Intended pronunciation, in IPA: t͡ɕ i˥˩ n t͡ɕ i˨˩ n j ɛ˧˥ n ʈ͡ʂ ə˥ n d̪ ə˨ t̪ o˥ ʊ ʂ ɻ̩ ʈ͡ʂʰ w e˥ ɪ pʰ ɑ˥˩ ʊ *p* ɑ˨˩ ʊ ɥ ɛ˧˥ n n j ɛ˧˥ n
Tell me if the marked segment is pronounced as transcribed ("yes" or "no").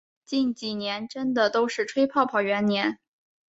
no